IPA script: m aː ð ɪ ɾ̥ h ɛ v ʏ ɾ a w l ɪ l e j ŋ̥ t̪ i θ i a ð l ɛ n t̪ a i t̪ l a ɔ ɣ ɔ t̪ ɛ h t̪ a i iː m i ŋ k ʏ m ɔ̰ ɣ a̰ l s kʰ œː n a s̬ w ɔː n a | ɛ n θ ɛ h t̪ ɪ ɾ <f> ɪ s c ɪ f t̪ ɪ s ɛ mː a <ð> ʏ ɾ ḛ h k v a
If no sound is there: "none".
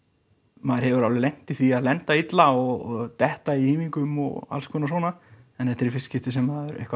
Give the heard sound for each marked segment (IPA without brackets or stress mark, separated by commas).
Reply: f, ð